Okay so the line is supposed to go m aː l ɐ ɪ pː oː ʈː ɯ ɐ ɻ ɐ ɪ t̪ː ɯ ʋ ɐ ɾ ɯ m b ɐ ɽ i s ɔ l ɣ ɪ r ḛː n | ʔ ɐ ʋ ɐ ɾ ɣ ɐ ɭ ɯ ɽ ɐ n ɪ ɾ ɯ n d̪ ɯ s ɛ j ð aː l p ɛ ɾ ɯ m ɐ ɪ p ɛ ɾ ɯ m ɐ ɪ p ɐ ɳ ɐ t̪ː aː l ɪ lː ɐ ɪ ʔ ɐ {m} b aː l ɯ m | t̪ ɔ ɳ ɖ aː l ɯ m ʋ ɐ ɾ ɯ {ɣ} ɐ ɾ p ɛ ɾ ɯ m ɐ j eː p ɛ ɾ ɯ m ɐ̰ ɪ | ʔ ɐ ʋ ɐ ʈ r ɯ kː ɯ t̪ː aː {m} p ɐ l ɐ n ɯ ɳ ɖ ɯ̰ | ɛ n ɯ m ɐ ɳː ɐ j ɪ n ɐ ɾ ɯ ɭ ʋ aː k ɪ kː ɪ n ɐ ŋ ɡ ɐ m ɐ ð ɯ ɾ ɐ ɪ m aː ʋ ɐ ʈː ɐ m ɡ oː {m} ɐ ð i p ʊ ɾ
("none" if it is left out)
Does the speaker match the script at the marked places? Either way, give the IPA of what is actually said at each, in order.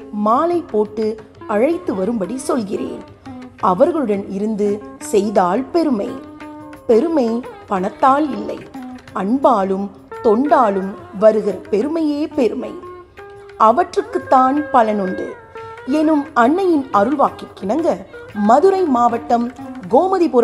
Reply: ɳ, ɣ, n, m

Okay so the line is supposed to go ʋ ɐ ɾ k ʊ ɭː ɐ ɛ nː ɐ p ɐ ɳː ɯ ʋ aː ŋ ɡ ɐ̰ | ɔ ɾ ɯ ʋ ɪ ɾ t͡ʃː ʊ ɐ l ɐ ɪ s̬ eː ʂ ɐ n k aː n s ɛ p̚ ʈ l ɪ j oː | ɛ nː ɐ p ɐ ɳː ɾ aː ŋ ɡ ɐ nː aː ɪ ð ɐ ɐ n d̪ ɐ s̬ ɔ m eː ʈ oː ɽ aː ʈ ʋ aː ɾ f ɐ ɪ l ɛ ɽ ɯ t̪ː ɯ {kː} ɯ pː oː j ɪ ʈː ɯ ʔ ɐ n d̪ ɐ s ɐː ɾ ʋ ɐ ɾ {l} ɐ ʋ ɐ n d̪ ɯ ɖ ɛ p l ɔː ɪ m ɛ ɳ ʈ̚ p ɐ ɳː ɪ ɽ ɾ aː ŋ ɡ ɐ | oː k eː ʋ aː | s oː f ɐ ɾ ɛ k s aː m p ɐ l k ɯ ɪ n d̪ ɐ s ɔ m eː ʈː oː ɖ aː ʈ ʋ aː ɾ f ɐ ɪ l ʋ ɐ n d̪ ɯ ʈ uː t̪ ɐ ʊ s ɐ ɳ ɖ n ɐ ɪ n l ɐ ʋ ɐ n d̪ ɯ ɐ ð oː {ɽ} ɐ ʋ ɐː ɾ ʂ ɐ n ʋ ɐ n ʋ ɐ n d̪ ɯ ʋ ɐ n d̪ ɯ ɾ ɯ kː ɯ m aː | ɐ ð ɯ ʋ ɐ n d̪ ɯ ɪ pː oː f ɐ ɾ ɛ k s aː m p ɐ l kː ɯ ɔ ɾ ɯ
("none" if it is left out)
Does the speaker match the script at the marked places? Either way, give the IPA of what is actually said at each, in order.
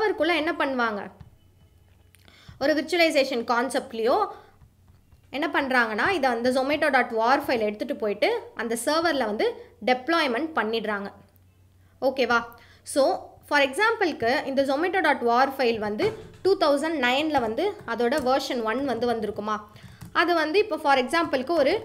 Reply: ʈː, l, ɽ

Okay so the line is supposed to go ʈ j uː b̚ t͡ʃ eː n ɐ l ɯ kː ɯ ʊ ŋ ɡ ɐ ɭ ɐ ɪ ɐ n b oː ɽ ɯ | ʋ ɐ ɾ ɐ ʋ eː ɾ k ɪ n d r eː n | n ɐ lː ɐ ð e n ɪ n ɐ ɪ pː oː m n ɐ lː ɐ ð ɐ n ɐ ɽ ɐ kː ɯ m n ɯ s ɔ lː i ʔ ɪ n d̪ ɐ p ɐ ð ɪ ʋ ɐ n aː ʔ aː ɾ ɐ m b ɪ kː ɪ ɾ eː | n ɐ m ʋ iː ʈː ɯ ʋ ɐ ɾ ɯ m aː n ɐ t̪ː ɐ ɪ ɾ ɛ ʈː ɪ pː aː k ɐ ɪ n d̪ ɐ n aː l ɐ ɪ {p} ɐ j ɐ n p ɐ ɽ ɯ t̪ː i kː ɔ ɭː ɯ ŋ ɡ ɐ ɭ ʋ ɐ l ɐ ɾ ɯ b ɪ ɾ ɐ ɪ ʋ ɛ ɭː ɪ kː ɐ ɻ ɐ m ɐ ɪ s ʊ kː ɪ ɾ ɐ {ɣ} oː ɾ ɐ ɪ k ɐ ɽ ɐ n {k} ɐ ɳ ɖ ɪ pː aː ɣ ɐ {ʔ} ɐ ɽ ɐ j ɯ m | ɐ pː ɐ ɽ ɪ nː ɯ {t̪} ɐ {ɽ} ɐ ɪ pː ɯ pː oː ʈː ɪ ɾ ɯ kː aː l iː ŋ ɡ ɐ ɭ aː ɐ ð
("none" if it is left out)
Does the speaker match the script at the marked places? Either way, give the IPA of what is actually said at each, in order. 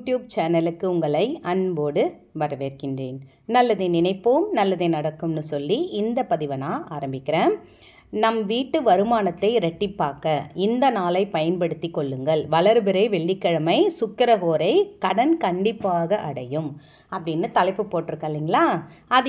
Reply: p, ɣ, k, ʔ, t̪, l

